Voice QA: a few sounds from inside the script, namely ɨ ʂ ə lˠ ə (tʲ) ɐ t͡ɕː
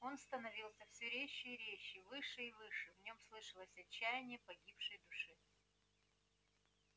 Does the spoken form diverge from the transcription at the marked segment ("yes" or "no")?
yes